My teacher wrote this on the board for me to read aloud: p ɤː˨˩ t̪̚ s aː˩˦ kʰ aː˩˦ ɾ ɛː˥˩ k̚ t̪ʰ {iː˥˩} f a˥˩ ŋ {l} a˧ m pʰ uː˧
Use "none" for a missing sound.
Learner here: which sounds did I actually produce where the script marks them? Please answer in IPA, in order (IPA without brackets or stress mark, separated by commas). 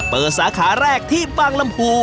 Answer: iː˥˩, l